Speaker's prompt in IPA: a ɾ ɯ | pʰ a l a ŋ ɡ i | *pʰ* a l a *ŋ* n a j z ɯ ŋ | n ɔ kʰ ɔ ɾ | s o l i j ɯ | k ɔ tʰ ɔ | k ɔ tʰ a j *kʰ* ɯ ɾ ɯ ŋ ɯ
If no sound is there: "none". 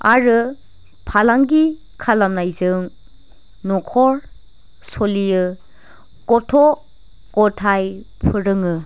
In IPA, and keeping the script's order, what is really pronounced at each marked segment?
kʰ, m, pʰ

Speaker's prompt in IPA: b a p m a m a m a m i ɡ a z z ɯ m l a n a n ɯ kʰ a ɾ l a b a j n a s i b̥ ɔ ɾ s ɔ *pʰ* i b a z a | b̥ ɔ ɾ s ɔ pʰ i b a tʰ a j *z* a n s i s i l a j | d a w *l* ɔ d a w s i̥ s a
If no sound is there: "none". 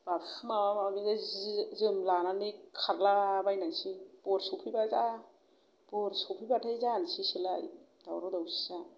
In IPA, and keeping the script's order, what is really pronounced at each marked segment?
pʰ, z, ɾ

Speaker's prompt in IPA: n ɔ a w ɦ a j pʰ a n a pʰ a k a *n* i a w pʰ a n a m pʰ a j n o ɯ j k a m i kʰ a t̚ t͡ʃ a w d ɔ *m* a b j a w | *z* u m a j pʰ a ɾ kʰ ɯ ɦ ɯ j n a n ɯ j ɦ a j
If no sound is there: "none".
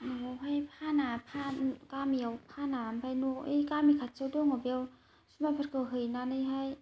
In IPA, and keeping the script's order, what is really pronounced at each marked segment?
m, ŋ, s

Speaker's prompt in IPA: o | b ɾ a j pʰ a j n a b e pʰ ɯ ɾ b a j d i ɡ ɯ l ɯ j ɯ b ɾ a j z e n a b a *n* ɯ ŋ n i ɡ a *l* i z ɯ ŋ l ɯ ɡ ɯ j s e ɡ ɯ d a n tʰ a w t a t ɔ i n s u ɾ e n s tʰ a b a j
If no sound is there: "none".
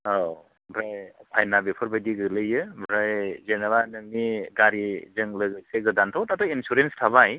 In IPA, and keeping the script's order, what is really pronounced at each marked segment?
n, ɾ

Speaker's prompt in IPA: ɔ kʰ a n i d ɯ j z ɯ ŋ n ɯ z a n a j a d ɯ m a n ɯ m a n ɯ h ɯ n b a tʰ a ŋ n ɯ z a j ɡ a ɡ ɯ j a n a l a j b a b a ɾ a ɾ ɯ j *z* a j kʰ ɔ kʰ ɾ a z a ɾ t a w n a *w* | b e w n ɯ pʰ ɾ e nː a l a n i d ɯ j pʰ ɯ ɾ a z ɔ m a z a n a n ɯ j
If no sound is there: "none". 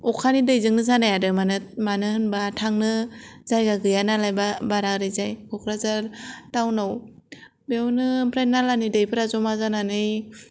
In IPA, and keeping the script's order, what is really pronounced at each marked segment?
z, w

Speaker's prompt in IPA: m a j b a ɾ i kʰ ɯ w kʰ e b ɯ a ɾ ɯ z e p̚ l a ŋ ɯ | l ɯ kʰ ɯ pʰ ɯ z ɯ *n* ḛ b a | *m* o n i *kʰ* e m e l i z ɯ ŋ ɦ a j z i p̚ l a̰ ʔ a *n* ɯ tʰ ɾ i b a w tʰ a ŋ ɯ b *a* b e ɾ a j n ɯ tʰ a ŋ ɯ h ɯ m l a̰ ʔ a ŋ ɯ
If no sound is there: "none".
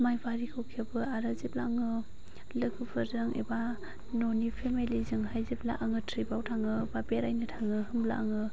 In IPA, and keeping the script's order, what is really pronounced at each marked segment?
ŋ, n, pʰ, ŋ, a

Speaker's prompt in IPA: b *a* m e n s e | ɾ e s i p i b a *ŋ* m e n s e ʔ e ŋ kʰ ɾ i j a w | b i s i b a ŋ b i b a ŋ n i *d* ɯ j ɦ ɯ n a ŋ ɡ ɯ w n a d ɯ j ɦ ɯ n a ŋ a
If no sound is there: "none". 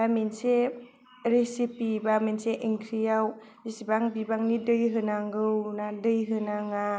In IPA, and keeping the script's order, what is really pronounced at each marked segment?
a, none, d

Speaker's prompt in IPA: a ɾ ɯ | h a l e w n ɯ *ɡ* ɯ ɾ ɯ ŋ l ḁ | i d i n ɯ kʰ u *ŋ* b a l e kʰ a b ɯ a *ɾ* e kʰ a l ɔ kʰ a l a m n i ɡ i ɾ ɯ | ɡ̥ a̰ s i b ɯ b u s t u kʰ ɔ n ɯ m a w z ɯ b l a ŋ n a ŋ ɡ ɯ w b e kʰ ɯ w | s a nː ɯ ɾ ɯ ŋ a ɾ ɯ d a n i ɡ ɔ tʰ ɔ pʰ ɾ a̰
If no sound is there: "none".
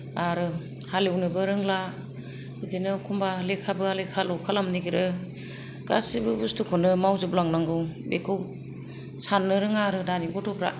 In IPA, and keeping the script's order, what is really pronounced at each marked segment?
b, m, l

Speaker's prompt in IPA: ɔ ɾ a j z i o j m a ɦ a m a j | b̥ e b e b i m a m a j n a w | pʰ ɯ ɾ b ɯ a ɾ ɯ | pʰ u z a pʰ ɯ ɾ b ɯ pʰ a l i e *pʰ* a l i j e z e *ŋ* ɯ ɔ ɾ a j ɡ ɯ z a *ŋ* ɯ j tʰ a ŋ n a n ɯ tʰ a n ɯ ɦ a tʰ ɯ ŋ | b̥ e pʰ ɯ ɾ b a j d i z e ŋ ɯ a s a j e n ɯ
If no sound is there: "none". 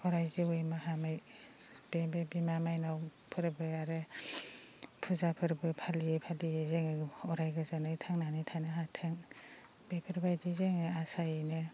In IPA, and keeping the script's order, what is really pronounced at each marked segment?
pʰ, ŋ, n

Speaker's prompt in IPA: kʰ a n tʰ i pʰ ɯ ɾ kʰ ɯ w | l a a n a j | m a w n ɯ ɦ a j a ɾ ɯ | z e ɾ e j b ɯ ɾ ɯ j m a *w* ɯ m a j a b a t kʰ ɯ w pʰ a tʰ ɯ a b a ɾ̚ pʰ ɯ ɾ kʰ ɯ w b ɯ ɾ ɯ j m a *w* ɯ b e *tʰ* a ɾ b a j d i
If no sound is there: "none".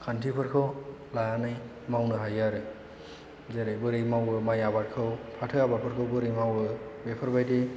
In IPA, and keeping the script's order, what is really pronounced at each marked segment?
w, w, pʰ

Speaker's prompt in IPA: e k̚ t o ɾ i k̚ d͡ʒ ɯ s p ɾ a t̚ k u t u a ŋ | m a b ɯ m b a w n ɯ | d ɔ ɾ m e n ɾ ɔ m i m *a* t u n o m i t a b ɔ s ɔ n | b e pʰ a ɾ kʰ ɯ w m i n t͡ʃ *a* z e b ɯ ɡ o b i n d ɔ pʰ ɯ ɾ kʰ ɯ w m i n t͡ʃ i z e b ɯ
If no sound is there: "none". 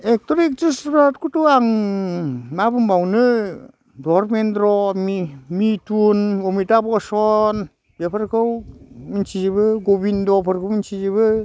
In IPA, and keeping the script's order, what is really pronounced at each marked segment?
i, i

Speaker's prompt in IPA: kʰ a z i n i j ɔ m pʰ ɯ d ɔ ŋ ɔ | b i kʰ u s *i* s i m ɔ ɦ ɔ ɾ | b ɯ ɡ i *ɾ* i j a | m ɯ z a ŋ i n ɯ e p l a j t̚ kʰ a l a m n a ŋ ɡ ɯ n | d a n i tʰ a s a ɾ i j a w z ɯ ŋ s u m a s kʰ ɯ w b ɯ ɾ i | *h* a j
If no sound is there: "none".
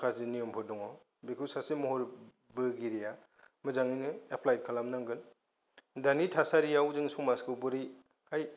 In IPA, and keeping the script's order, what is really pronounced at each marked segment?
a, ɾ, h

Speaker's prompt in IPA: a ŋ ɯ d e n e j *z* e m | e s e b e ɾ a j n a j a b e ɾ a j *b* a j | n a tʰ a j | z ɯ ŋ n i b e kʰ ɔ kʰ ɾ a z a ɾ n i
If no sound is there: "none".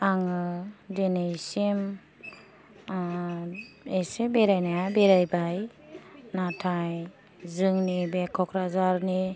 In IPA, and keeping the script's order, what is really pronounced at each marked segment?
s, b

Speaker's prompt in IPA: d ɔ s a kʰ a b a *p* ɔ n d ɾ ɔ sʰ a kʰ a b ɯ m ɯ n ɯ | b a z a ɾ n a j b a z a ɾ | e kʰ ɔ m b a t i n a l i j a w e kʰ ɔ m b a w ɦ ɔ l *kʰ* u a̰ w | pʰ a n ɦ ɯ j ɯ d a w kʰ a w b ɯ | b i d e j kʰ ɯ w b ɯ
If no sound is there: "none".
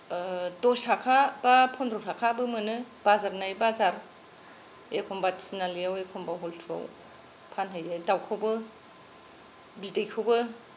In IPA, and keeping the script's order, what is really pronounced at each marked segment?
pʰ, tʰ

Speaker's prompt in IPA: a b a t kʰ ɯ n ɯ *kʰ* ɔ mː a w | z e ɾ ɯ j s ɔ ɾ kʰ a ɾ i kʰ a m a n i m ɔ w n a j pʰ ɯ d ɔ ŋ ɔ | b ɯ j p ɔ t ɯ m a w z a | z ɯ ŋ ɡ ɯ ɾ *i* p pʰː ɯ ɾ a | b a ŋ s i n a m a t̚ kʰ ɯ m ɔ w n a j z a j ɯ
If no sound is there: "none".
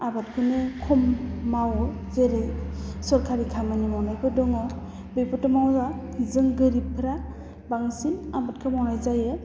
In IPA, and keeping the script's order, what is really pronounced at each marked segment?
kʰ, i

